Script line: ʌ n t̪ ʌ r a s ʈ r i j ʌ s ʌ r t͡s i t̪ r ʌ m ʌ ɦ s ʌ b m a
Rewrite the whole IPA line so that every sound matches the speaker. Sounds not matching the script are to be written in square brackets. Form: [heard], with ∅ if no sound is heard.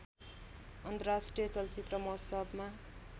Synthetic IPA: ʌ n t̪ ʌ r a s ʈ r i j ʌ [t͡s] ʌ [l] t͡s i t̪ r ʌ m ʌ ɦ s ʌ b m a